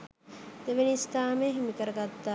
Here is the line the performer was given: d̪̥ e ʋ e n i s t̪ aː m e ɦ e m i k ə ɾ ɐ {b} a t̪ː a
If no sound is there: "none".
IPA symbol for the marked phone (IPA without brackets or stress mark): ɡ